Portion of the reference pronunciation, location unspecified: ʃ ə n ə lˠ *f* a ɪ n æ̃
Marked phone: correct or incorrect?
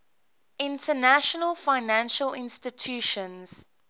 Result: correct